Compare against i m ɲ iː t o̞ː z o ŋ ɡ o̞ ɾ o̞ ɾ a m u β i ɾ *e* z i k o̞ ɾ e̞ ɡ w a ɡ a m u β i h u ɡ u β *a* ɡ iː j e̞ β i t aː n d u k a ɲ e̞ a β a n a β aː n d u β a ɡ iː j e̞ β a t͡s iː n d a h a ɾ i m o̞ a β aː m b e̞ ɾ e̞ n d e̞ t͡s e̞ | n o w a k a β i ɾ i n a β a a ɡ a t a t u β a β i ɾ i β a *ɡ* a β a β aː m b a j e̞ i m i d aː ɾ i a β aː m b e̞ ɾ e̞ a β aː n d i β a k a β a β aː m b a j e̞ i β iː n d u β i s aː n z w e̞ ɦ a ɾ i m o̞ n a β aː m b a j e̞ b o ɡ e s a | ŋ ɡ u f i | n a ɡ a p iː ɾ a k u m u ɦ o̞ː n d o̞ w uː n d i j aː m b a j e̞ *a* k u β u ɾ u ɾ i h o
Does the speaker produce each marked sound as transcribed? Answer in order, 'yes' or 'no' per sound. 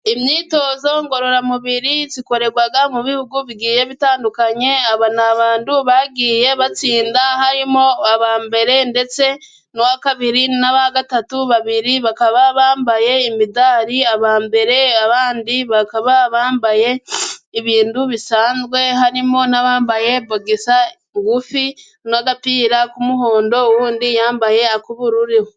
no, no, no, yes

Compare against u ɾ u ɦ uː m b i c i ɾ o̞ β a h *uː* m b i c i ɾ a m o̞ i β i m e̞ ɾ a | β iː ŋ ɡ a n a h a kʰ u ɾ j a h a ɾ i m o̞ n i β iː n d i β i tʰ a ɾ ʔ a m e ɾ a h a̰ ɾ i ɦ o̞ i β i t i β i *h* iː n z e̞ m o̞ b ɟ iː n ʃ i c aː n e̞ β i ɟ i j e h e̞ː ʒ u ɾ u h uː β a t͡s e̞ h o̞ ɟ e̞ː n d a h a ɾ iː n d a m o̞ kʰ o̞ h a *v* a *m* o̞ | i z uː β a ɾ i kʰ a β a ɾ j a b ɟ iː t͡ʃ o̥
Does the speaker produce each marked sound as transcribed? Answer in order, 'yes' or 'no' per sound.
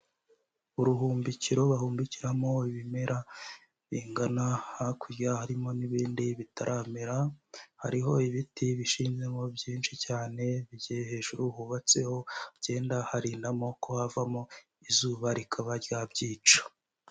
yes, no, yes, yes

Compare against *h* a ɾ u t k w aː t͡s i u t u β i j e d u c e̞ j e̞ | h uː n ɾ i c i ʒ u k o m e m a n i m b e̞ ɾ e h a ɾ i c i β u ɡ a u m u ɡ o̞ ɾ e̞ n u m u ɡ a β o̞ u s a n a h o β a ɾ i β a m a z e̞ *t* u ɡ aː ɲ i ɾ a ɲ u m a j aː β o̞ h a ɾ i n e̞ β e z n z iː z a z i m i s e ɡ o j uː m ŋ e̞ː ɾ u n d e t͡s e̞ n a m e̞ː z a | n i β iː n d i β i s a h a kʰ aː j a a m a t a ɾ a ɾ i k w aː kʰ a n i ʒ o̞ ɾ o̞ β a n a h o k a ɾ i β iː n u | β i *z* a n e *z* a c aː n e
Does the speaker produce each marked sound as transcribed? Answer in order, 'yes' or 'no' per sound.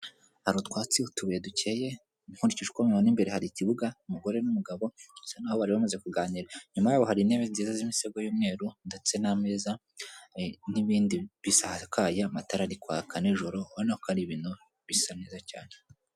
yes, no, no, yes

